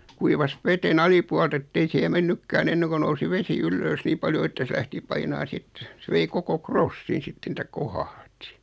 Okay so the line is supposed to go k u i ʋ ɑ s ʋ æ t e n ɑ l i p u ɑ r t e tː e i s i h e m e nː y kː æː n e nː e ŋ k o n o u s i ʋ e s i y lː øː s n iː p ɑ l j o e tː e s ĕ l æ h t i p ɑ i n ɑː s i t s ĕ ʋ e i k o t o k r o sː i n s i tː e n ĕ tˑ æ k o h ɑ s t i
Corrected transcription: k u i ʋ ɑ s ʋ e t e n ɑ l i p u ɑ l t e tː e i s i h e m e nː y kː æː n e nː e ŋ k o n o u s i ʋ e s i y lː øː s n iː p ɑ l j o e tː æ s ĕ l æ h t i p ɑ i n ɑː s i t s ĕ ʋ e i k o k o k r o sː i n s i tː e n ĕ tˑ æ k o h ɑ h t i